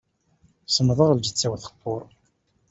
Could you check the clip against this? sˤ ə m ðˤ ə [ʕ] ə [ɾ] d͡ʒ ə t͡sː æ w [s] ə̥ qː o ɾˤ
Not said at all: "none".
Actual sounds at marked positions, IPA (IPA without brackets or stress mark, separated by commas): ʁ, l, θ